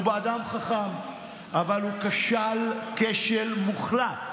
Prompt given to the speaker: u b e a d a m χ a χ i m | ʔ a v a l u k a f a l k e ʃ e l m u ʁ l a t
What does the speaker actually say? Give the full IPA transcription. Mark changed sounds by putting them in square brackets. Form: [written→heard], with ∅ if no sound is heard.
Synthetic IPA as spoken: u b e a d a m χ a χ [i→a] m | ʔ a v a l u k a [f→ʃ] a l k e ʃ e l m u [ʁ→χ] l a t